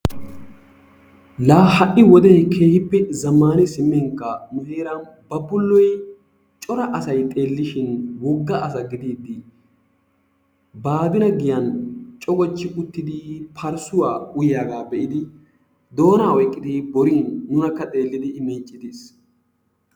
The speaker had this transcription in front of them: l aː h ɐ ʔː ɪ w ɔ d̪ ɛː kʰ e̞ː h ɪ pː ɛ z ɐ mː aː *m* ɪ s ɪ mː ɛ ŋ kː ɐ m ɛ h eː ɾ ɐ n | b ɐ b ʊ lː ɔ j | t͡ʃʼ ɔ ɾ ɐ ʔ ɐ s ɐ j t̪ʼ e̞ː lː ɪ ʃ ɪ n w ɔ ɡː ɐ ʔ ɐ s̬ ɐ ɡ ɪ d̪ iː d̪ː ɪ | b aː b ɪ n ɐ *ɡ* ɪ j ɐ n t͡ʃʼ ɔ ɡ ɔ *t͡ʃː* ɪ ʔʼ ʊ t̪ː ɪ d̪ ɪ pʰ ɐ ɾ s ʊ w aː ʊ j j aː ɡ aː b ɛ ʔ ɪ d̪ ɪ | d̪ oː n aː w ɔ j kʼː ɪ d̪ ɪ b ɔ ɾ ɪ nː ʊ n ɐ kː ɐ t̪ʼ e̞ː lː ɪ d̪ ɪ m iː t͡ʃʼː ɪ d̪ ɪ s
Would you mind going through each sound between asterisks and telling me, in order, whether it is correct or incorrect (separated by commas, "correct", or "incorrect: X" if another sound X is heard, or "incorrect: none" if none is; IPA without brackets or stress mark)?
incorrect: n, correct, correct